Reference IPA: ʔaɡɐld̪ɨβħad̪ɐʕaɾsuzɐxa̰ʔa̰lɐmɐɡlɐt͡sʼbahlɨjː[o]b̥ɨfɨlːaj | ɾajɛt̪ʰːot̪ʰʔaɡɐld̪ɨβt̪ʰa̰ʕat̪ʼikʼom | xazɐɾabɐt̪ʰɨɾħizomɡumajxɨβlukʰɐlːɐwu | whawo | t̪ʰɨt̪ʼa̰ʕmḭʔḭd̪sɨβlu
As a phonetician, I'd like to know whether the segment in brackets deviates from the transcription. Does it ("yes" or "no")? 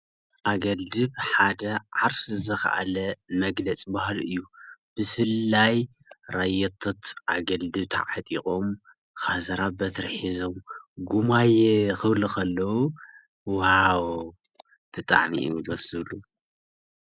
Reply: yes